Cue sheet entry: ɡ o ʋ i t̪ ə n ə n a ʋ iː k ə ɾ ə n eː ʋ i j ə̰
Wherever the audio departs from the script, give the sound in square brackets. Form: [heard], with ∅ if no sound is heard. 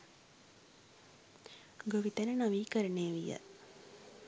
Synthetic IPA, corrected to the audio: ɡ o ʋ i t̪ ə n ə n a ʋ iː k ə ɾ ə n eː ʋ i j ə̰